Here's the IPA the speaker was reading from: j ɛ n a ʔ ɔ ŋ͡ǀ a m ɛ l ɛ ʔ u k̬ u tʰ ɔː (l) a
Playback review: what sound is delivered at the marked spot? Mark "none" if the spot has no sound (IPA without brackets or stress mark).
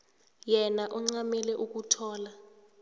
l